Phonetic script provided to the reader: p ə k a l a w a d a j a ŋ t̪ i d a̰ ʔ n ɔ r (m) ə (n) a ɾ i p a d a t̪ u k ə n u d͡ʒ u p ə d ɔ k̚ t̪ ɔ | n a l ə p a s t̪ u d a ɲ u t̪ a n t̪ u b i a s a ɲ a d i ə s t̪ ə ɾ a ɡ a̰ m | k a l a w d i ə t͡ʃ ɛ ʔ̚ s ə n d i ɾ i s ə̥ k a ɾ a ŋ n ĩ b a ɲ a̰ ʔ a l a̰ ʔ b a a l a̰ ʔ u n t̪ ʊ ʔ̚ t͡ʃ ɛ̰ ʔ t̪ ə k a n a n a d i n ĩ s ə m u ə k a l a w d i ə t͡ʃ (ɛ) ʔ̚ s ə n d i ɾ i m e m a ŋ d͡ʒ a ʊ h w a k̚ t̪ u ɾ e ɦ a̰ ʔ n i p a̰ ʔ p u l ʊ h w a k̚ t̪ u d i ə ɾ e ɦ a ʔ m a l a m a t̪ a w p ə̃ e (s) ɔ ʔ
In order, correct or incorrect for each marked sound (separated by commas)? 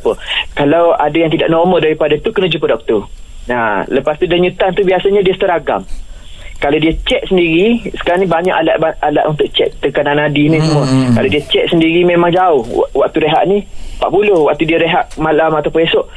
correct, incorrect, correct, correct